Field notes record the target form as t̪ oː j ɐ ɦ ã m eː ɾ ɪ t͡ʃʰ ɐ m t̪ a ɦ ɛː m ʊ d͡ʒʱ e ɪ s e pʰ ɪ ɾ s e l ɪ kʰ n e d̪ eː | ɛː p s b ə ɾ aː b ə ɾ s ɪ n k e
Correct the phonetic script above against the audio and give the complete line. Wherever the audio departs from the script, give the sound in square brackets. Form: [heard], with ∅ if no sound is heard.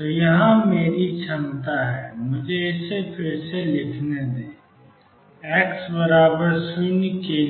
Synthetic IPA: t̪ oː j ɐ ɦ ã m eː ɾ [i] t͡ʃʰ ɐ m t̪ a ɦ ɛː m ʊ d͡ʒʱ e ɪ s e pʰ ɪ ɾ s e l ɪ kʰ n e d̪ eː | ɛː [k] s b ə ɾ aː b ə ɾ s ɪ n k e

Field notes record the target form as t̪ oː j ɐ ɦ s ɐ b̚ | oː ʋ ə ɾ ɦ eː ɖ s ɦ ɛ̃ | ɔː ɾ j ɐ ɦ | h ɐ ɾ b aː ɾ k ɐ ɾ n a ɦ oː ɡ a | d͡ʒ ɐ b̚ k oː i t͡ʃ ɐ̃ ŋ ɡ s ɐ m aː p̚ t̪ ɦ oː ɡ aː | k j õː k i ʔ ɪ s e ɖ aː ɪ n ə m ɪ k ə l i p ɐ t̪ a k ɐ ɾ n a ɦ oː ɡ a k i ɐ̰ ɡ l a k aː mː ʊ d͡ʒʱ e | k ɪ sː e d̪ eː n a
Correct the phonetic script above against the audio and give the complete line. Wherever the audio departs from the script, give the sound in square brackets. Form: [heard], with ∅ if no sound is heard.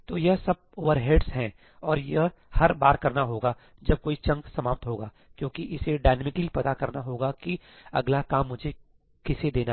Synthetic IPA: t̪ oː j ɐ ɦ s ɐ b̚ | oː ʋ ə ɾ ɦ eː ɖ s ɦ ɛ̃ | ɔː ɾ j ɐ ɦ | h ɐ ɾ b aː ɾ k ɐ ɾ n a ɦ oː ɡ a | d͡ʒ ɐ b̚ k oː i t͡ʃ ɐ̃ ŋ ɡ s ɐ m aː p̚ t̪ ɦ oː ɡ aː | k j õː k i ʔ ɪ s e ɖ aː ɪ n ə m ɪ k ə l i p ɐ t̪ a k ɐ ɾ n a ɦ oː ɡ a k i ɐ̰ ɡ l a k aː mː ʊ d͡ʒʱ e | k ɪ [s] e d̪ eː n a

